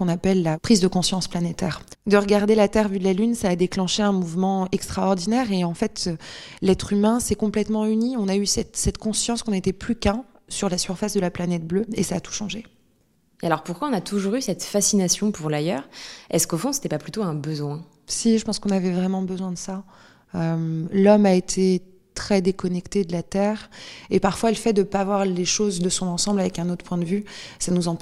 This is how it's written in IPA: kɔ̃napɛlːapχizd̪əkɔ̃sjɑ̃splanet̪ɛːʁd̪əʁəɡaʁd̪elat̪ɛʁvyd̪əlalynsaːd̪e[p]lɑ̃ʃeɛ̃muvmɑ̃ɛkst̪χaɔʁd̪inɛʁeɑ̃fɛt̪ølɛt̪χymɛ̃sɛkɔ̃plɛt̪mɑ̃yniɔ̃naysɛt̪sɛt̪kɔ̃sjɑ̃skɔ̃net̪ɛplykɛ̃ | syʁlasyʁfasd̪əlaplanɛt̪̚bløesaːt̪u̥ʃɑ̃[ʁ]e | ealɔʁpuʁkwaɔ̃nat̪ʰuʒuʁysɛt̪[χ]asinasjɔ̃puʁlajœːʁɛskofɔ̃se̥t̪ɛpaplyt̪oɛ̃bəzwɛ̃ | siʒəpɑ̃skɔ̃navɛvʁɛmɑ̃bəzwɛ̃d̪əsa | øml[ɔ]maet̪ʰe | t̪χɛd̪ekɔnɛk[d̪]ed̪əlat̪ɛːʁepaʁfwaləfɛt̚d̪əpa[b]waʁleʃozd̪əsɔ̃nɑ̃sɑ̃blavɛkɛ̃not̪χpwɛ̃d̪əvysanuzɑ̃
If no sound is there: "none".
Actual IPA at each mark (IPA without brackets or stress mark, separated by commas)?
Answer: k, ʒ, f, ɔ, t̪, v